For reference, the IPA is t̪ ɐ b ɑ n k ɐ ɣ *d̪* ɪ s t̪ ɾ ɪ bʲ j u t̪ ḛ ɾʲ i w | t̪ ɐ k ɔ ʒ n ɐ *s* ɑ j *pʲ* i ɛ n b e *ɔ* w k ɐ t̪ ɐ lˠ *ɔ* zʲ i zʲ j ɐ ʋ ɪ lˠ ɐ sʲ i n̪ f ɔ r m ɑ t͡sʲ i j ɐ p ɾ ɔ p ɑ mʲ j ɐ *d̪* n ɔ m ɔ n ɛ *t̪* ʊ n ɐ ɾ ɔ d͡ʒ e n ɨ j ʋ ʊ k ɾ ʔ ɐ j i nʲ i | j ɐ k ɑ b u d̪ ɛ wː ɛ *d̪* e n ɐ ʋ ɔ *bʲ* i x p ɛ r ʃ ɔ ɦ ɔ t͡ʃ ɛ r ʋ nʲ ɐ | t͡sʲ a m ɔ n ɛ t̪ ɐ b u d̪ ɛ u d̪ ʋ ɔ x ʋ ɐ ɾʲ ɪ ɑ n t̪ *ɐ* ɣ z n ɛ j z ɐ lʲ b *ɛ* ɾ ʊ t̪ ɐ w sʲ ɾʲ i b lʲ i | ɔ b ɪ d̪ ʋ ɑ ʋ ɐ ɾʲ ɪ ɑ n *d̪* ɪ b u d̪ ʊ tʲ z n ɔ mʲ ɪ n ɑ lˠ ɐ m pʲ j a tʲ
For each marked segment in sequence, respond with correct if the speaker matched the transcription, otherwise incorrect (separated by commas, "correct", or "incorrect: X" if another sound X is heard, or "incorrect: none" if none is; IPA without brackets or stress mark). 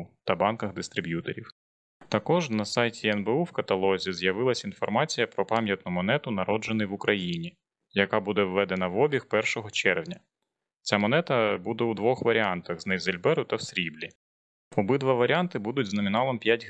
correct, correct, incorrect: tʲ, incorrect: u, correct, incorrect: t̪, correct, correct, correct, correct, correct, incorrect: t̪